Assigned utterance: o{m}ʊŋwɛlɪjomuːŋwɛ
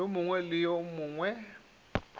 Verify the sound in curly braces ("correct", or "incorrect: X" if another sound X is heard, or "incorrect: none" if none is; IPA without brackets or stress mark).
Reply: correct